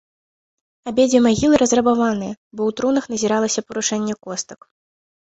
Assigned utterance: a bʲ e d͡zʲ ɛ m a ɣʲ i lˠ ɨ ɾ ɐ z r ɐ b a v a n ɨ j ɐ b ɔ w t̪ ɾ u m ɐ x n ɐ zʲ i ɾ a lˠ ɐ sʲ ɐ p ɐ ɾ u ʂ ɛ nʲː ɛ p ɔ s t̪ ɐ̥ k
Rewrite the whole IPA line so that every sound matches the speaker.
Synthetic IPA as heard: a bʲ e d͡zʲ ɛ m a ɣʲ i lˠ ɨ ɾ ɐ z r ɐ b a v a n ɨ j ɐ b ɔ w t̪ ɾ u n ɐ x n ɐ zʲ i ɾ a lˠ ɐ sʲ ɐ p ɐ ɾ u ʂ ɛ nʲː ɛ k ɔ s t̪ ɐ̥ k